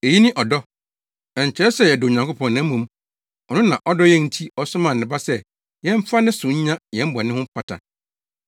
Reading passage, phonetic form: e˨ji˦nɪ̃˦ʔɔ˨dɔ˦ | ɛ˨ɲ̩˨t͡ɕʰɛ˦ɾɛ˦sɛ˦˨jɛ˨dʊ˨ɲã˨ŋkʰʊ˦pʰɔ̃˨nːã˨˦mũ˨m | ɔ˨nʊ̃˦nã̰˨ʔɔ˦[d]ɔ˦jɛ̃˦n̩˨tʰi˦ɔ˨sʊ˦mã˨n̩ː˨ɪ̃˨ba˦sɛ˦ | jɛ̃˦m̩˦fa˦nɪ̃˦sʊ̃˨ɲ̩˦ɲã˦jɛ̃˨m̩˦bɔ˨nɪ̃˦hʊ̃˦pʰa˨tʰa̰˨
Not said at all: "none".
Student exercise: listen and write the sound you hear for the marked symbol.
d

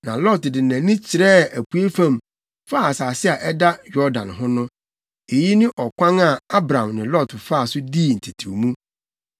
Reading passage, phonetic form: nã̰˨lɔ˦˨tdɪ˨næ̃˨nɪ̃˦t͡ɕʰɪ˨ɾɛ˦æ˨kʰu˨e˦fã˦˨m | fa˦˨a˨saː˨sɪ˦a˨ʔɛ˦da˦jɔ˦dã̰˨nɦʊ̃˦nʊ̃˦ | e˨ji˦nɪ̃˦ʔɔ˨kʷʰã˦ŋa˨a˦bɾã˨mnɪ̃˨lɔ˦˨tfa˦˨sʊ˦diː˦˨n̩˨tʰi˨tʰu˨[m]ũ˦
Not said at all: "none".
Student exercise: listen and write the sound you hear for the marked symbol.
m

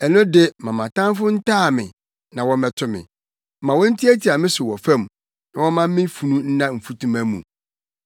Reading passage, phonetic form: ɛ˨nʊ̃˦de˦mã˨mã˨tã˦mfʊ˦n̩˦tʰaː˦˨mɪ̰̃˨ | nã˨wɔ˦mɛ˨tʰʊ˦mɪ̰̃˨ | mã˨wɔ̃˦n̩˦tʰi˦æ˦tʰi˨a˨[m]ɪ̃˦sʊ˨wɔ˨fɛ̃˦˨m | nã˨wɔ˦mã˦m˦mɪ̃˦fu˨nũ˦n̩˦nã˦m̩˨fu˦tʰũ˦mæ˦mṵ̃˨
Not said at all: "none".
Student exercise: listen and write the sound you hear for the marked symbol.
m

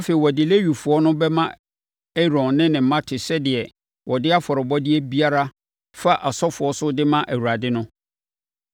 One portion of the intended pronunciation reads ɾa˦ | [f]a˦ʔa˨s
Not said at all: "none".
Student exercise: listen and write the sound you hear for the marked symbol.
f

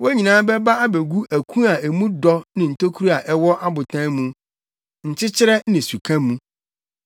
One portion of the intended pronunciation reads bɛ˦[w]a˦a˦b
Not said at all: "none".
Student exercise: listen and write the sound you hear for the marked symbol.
b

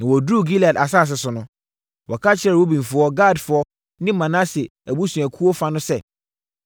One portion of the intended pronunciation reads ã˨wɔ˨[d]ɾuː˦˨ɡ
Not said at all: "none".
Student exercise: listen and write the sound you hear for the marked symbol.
d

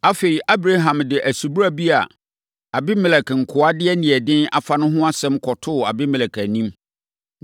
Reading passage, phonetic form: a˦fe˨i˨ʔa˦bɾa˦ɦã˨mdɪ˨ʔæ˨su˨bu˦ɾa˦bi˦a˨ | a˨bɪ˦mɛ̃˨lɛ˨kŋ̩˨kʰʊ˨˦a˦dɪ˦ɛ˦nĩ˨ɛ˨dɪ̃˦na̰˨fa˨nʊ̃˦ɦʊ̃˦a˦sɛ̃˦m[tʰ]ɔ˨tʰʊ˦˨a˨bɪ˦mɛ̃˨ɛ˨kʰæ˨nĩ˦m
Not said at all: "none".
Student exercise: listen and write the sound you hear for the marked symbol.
kʰ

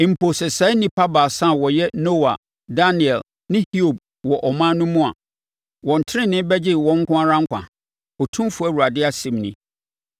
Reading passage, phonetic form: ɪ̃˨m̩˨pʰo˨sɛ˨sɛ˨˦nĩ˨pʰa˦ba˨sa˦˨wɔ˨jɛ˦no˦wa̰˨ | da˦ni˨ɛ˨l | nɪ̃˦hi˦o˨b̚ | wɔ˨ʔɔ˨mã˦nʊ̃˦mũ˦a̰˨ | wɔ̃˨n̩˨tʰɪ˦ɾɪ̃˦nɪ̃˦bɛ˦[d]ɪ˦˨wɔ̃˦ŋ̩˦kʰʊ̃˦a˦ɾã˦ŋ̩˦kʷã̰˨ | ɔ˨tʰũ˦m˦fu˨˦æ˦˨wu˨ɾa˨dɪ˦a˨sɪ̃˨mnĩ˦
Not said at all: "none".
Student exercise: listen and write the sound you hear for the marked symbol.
d͡ʑ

